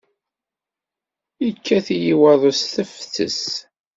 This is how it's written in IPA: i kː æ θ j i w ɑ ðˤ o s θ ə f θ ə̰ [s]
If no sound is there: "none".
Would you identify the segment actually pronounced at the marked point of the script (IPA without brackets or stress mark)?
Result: s